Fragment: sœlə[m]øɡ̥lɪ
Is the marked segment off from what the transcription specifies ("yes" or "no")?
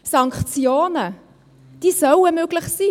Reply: no